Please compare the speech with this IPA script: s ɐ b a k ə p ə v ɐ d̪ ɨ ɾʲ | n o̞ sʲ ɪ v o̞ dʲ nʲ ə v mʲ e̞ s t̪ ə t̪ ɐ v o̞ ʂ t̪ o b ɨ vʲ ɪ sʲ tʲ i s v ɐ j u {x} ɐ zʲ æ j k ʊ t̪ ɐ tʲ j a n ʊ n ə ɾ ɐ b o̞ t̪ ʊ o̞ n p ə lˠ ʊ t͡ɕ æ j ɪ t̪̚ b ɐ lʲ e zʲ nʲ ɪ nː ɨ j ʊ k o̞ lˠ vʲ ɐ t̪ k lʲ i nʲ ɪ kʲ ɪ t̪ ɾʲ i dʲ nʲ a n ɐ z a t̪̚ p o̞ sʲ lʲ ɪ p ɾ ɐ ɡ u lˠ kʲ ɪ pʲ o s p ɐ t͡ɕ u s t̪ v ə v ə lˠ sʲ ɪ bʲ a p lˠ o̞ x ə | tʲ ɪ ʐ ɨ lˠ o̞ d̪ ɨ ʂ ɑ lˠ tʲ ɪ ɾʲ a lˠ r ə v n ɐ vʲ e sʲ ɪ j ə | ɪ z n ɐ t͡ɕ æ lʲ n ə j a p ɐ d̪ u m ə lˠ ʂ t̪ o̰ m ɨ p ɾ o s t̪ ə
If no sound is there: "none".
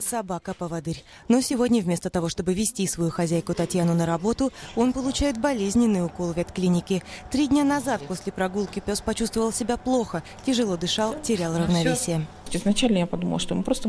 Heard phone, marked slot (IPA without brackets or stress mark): x